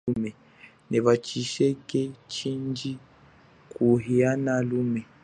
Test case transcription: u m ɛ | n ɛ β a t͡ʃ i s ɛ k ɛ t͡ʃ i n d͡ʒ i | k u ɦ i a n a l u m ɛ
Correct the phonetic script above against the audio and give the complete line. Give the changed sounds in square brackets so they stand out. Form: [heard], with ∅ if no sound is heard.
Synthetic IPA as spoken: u m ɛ | n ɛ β a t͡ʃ i [ʃ] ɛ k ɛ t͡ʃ i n d͡ʒ i | k u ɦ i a n a l u m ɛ